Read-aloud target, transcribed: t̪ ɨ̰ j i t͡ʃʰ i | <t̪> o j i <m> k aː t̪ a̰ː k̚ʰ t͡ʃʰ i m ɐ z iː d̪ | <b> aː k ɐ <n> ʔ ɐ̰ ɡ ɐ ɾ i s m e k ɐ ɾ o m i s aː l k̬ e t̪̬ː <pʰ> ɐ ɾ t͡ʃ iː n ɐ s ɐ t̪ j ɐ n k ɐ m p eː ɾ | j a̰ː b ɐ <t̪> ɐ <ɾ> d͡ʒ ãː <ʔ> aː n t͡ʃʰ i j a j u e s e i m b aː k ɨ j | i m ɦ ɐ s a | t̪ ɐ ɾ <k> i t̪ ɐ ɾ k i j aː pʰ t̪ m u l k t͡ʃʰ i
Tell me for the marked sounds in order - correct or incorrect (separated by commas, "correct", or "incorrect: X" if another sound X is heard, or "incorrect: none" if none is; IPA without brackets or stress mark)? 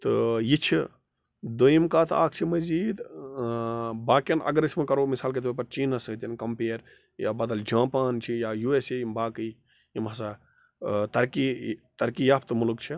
incorrect: d̪, correct, correct, correct, incorrect: p, incorrect: d̪, incorrect: l, incorrect: p, correct